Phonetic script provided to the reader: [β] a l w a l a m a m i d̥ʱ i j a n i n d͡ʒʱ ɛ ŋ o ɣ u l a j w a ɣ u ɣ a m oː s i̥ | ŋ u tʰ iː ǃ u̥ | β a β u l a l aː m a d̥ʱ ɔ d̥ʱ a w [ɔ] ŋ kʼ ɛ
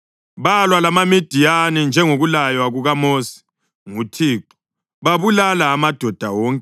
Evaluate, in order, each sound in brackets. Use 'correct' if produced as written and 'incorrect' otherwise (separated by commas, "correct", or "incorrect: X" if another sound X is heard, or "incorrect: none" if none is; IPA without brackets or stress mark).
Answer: correct, incorrect: ɔː